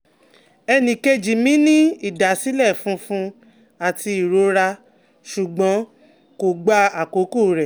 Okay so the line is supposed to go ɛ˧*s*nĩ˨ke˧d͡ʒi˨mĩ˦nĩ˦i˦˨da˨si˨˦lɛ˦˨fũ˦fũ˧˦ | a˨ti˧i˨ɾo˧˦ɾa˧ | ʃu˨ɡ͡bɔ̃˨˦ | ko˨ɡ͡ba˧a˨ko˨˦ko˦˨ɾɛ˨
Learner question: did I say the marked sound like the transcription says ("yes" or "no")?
no